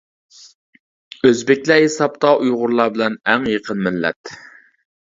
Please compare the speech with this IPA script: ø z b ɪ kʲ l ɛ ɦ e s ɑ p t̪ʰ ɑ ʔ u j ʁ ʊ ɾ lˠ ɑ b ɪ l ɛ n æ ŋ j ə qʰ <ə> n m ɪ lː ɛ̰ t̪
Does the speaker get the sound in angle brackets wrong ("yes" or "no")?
no